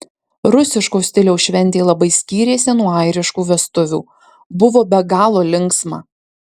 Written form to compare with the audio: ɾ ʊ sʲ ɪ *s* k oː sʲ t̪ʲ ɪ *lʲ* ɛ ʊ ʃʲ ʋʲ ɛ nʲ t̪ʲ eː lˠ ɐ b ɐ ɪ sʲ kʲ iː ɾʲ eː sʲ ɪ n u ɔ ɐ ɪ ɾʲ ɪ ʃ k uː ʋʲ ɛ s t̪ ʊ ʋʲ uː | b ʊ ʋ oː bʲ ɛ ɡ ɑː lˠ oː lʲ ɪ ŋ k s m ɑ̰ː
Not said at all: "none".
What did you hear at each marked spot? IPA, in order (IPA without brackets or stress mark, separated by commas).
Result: ʃ, lʲ